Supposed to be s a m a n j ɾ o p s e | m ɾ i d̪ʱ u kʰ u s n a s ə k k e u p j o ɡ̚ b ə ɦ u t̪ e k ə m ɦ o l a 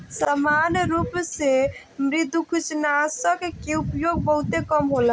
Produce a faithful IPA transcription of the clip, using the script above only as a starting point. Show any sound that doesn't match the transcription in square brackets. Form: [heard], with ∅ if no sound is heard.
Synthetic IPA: s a m a n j ɾ [u] p s e | m ɾ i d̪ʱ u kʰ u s n a s ə k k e u p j o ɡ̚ b ə ɦ u t̪ e k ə m ɦ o l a